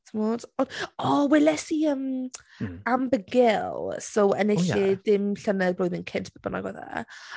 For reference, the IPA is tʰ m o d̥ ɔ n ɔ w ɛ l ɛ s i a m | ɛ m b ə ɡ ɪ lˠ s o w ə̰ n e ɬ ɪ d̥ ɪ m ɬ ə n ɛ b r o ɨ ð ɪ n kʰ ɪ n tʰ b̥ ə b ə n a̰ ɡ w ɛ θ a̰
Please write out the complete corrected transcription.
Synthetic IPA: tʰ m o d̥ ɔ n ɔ w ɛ l ɛ s i ə m | a m b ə ɡ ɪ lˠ s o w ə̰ n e ɬ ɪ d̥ ɪ m ɬ ə n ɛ b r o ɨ ð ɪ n kʰ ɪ n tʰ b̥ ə b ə n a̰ ɡ w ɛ ð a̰